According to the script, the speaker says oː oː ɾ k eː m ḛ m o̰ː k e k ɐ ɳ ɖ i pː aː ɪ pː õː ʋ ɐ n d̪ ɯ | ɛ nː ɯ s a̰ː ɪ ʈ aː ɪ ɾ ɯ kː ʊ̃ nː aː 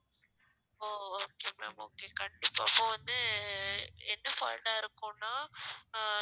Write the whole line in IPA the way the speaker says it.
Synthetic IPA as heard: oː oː k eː m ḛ m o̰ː k e k ɐ ɳ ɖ ɪ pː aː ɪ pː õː ʋ ɐ n d̪ ɯ | ɛ nː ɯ f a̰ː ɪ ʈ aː ɪ ɾ ɯ kː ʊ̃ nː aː